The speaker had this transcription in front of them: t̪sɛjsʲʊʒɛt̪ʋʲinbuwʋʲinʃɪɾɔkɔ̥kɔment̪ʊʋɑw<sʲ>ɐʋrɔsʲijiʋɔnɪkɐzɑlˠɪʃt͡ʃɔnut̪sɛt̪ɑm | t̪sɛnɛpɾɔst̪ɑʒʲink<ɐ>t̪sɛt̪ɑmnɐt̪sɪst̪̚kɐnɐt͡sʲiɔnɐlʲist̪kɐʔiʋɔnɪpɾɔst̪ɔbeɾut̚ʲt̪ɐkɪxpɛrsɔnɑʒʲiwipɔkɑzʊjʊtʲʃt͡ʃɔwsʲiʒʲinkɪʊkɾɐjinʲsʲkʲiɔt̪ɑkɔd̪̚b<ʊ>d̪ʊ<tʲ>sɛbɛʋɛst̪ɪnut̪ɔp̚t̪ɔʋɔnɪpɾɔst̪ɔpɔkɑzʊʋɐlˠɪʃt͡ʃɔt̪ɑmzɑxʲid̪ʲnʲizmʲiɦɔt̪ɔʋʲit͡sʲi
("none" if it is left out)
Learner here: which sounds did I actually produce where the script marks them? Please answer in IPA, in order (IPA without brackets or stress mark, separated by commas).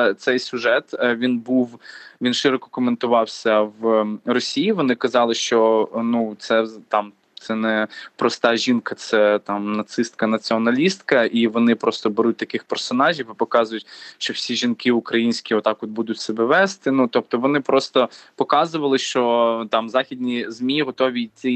sʲ, ɐ, u, tʲ